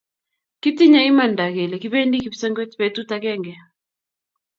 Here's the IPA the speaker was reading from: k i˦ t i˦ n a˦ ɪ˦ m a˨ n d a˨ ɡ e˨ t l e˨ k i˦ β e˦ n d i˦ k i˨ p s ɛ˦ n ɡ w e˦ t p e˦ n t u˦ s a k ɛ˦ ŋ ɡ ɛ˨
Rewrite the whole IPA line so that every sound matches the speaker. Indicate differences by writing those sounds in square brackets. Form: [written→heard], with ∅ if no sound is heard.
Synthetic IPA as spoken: k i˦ t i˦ [n→ɲ] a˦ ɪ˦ m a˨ n d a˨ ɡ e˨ [t→∅] l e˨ k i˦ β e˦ n d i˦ k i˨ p s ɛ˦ [n→ŋ] ɡ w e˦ t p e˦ [n→∅] t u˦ [s→t] a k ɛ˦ ŋ ɡ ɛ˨

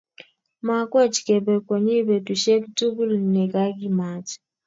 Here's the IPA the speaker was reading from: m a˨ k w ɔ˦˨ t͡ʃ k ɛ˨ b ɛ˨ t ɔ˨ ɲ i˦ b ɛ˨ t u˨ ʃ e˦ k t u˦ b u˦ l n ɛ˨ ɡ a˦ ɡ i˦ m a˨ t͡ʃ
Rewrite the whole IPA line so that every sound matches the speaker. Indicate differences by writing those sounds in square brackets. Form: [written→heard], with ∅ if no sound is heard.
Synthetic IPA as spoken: m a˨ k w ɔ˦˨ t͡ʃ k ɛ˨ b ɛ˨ [t→k] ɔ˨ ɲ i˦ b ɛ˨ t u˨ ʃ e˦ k t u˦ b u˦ l n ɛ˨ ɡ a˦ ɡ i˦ m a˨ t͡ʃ

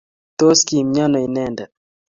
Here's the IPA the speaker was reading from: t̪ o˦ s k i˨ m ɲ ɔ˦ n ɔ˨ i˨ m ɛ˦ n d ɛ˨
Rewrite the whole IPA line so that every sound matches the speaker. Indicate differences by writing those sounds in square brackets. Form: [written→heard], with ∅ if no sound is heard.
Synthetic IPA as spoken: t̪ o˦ s k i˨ m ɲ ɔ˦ n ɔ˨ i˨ [m→n] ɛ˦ n d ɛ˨

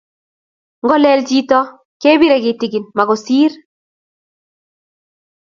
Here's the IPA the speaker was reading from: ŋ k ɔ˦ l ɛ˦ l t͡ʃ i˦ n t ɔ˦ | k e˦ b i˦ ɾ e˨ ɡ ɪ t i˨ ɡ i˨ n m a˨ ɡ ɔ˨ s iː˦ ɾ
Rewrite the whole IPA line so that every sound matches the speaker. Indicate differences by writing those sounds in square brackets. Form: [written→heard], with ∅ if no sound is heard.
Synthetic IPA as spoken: ŋ [k→ɡ] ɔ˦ l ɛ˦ l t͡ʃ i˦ [n→∅] t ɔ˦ | k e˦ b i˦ ɾ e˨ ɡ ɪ t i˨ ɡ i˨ n m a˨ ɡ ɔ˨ s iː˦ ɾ

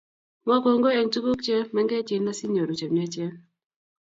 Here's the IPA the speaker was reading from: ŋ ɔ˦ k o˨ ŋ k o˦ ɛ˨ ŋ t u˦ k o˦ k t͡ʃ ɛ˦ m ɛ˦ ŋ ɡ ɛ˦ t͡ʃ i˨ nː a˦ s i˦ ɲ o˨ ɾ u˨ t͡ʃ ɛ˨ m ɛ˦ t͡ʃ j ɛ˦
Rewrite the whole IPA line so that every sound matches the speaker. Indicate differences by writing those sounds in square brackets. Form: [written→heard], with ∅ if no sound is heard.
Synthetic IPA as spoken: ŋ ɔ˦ k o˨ ŋ [k→ɡ] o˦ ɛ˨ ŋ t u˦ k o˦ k t͡ʃ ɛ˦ m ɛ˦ ŋ ɡ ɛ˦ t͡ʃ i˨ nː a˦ s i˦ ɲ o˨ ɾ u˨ t͡ʃ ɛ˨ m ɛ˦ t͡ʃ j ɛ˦

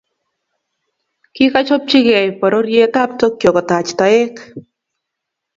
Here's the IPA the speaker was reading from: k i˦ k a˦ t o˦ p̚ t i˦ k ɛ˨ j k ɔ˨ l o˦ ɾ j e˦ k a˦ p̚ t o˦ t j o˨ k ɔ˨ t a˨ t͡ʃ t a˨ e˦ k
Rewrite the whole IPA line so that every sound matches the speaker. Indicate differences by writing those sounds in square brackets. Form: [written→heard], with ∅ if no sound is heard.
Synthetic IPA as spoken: k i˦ k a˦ [t→t͡ʃ] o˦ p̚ [t→t͡ʃ] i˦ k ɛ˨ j [k→p] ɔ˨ [l→ɾ] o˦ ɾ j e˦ [k→t] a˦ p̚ t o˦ [t→k] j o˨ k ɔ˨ t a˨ t͡ʃ t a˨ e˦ k

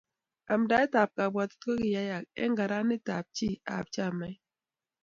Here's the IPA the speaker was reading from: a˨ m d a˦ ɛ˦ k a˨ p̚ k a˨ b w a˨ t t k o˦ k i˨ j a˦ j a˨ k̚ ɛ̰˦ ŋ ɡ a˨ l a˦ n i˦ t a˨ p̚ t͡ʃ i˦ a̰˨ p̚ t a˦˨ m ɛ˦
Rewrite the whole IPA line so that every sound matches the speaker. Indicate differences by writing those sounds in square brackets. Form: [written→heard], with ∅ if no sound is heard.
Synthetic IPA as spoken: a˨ m d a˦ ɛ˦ [k→t] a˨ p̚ k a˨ b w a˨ t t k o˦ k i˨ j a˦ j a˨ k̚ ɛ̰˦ ŋ ɡ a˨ [l→ɾ] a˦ n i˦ t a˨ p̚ t͡ʃ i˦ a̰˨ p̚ [t→t͡ʃ] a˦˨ m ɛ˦

